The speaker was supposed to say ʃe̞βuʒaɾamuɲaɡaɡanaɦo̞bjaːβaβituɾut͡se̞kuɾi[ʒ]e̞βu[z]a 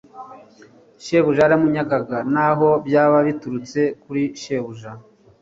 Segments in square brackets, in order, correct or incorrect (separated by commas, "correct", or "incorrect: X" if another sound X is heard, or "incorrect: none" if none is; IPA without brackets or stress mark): incorrect: ʃ, incorrect: ʒ